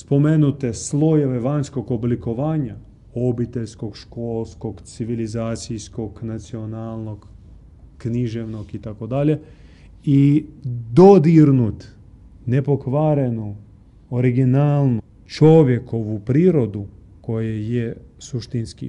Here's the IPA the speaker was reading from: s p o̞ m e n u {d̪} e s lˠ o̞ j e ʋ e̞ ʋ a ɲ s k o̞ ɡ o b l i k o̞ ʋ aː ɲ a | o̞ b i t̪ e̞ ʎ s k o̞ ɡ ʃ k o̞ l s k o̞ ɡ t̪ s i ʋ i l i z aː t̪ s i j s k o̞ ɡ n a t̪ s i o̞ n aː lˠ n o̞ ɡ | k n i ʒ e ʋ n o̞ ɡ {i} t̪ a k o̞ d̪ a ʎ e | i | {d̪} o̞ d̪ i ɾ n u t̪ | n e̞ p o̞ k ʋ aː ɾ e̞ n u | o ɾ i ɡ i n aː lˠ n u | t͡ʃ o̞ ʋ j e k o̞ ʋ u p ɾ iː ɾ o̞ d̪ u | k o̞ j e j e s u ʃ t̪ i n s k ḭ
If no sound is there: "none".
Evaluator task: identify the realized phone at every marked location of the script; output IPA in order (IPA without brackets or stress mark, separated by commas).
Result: t̪, i, d̪